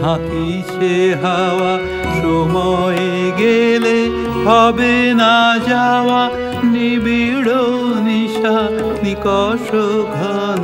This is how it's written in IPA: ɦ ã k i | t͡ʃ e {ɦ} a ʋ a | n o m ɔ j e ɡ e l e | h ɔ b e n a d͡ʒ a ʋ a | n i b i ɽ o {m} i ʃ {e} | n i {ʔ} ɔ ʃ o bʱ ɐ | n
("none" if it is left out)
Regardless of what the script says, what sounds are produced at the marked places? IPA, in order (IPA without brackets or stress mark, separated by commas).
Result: ɦ, n, a, k